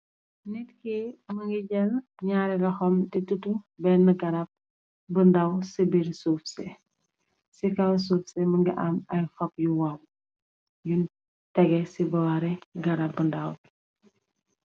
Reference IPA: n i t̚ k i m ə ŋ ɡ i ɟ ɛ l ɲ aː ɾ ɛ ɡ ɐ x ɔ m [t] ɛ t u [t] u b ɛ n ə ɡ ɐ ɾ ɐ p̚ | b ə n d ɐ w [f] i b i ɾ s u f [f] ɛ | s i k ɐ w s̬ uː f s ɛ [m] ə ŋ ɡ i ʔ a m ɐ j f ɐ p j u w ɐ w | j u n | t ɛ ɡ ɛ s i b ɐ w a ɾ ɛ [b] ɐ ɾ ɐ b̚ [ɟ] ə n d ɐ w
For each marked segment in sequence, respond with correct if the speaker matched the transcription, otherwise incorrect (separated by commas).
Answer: correct, correct, incorrect, incorrect, correct, incorrect, incorrect